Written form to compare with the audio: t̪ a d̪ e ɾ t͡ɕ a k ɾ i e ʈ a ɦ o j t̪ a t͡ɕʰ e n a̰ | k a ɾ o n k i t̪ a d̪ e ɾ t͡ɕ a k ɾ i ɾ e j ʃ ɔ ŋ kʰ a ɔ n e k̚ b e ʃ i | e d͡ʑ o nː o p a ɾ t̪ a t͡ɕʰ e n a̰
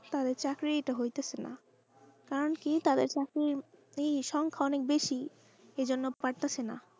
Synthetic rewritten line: t̪ a d̪ e ɾ t͡ɕ a k ɾ i e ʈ a ɦ o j t̪ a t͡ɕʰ e n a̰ | k a ɾ o n k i t̪ a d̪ e ɾ t͡ɕ a k ɾ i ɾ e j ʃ ɔ ŋ kʰ a ɔ n e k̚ b e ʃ i | e d͡ʑ o nː o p a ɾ t̪ a t͡ɕʰ e n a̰